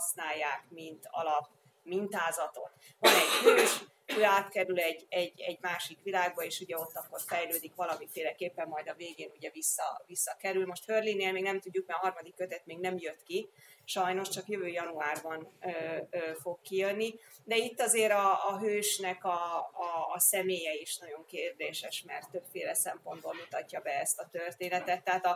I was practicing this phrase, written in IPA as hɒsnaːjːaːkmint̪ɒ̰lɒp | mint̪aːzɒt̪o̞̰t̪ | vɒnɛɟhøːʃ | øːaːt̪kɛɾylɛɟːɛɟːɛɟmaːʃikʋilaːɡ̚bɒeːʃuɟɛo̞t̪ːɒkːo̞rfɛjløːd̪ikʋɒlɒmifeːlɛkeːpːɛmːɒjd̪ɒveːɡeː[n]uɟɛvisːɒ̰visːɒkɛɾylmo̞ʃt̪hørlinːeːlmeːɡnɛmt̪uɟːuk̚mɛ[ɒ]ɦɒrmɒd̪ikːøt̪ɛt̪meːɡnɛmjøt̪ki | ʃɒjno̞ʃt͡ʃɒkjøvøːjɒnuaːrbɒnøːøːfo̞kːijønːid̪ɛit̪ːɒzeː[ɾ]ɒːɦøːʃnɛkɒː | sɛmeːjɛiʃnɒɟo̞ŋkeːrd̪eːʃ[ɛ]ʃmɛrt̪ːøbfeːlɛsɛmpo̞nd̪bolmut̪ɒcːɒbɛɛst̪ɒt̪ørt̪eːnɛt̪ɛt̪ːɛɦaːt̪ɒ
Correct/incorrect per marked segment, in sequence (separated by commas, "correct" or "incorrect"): correct, correct, correct, correct